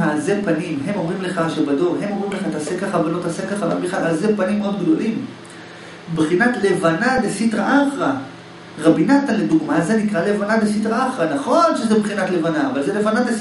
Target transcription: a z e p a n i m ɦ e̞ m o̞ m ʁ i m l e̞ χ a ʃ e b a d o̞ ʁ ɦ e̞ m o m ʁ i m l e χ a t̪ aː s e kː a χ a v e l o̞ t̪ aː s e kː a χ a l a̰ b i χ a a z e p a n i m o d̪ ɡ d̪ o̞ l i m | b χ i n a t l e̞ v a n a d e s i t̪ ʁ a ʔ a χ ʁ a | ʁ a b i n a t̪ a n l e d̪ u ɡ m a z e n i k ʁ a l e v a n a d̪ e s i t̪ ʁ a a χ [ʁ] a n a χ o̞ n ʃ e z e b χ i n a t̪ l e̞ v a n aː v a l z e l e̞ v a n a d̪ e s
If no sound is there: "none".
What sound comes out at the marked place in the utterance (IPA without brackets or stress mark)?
ʁ